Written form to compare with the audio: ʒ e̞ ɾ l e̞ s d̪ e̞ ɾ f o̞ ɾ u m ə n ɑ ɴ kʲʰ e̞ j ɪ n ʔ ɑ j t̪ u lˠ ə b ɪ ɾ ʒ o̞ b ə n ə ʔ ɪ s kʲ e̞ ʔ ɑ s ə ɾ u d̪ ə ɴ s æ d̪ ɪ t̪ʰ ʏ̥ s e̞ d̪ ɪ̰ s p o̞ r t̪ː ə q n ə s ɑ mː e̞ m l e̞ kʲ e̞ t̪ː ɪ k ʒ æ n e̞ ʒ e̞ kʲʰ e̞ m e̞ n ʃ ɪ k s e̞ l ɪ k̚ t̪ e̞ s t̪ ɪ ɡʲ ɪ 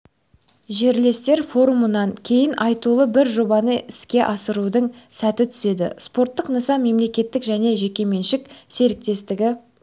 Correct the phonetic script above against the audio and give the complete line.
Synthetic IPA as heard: ʒ e̞ ɾ l e̞ s t̪ e̞ ɾ f o̞ ɾ u m ə n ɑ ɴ kʲʰ e̞ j ɪ n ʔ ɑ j t̪ u lˠ ə b ɪ ɾ ʒ o̞ b ɑ n ə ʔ ɪ s kʲ e̞ ʔ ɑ s ə ɾ u d̪ ə ɴ s æ t̪ ɪ t̪ʰ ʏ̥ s e̞ d̪ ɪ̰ s p o̞ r t̪ː ə q n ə s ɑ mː e̞ m l e̞ kʲ e̞ t̪ː ɪ k ʒ æ n e̞ ʒ e̞ kʲ e̞ m e̞ n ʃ ɪ k s e̞ ɾ ɪ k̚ t̪ e̞ s t̪ ɪ ɡʲ ɪ

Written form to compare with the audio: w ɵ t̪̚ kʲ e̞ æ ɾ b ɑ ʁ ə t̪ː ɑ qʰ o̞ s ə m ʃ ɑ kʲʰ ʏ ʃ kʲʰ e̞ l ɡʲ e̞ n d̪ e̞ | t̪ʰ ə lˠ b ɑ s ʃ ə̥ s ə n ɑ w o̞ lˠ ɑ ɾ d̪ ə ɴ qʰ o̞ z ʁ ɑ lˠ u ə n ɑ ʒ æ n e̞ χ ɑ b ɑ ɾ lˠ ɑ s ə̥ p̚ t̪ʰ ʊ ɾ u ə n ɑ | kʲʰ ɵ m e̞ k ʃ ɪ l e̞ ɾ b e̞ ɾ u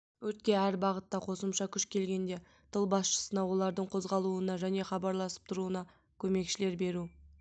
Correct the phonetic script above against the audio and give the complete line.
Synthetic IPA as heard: w ɵ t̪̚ kʲ e̞ æ ɾ b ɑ ʁ ə t̪ː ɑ qʰ o̞ s ə m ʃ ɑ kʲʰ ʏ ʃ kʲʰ e̞ l ɡʲ e̞ n d̪ e̞ | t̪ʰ ə lˠ b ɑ s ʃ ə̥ s ə n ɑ w o̞ lˠ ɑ ɾ d̪ ə ɴ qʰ o̞ z ʁ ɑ lˠ u ə n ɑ ʒ æ n e̞ χ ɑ b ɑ ɾ lˠ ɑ s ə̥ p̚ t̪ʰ ʊ ɾ u ə n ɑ | kʲʰ ɵ m e̞ k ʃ ɪ l e̞ ɾ b e̞ ɾ u

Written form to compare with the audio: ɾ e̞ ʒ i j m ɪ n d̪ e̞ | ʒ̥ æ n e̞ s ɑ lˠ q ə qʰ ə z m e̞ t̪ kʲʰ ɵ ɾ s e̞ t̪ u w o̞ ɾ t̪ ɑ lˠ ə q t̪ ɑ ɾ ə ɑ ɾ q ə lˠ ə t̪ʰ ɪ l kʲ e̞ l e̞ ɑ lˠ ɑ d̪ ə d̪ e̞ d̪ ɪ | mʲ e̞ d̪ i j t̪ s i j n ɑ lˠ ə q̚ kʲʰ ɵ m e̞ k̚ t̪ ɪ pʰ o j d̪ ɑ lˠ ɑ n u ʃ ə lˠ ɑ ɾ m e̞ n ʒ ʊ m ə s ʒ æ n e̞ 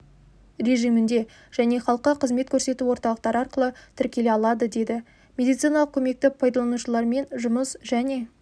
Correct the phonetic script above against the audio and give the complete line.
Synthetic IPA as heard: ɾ e̞ ʒ i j m ɪ n d̪ e̞ | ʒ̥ æ n e̞ χ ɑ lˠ q ə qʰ ə z m e̞ t̪ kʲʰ ɵ ɾ s e̞ t̪ u w o̞ ɾ t̪ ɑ lˠ ə q t̪ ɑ ɾ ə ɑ ɾ q ə lˠ ə t̪ʰ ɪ ɾ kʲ e̞ l e̞ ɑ lˠ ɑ d̪ ə d̪ e̞ d̪ ɪ | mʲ e̞ d̪ i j t̪ s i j n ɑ lˠ ə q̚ kʲʰ ɵ m e̞ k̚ t̪ ɪ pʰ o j d̪ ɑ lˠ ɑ n u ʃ ə lˠ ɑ ɾ m e̞ n ʒ ʊ m ə s ʒ æ n e̞

